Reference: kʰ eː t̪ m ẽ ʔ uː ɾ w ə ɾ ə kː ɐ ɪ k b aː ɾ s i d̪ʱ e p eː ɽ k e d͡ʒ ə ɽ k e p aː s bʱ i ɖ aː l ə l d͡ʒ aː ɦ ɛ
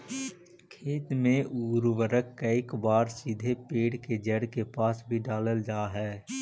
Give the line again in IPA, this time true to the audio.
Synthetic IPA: kʰ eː t̪ m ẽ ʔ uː ɾ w ə ɾ ə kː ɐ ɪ k b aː ɾ s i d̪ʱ e p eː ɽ k e d͡ʒ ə ɽ k e p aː s bʱ i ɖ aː l ə l d͡ʒ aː ɦ ɛː